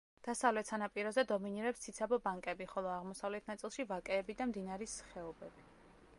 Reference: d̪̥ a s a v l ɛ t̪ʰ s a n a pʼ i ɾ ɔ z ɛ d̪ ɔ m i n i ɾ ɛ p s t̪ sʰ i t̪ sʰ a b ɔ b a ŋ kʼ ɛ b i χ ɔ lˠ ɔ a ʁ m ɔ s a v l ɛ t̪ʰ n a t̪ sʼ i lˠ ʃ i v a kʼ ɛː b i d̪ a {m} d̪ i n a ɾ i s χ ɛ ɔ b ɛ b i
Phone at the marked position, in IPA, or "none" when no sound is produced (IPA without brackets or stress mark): m